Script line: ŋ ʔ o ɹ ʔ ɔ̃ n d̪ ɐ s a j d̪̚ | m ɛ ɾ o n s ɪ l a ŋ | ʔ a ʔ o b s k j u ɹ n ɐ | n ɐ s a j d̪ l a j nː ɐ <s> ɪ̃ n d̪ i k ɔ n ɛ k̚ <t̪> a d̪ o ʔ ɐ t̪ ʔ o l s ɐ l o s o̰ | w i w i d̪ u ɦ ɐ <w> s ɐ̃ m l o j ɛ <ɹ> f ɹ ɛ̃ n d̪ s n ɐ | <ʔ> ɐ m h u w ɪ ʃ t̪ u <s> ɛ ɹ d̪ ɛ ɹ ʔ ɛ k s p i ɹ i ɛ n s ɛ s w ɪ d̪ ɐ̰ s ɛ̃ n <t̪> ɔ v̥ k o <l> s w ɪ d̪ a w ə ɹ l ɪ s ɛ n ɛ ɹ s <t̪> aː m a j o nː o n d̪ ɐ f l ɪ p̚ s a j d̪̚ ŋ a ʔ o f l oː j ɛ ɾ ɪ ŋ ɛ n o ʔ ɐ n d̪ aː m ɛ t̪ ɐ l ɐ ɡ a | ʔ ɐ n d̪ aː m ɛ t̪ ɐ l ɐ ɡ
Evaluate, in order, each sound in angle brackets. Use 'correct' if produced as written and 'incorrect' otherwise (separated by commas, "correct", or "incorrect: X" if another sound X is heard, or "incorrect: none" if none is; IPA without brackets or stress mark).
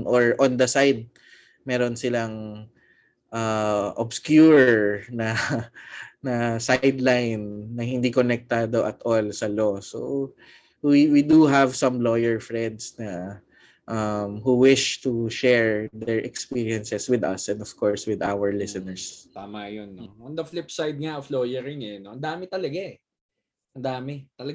incorrect: h, correct, incorrect: v, correct, correct, incorrect: ʃ, incorrect: d̪, incorrect: ɹ, correct